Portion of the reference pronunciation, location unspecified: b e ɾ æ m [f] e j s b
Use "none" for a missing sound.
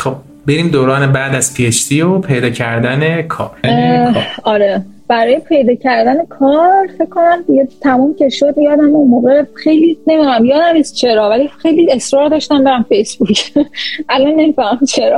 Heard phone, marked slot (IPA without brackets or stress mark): f